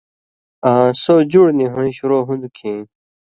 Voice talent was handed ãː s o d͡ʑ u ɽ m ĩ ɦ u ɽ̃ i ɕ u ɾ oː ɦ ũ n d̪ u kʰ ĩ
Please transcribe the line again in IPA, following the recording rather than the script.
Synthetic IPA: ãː s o d͡ʑ u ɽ n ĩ ɦ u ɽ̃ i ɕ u ɾ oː ɦ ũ n d̪ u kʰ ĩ